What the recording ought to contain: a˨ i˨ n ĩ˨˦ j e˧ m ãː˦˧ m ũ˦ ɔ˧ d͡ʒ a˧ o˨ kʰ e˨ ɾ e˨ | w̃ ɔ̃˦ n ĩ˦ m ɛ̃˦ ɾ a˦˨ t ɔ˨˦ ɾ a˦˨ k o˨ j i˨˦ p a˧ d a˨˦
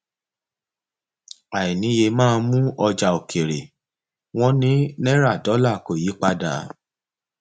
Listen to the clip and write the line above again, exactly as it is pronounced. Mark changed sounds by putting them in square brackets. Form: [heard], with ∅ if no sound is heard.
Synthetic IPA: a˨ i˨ n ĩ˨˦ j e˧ m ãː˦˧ m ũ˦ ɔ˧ d͡ʒ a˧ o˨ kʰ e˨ ɾ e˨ | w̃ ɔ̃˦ n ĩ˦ [n] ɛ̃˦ ɾ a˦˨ [d] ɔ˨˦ [l] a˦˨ k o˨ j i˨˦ [k͡p] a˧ d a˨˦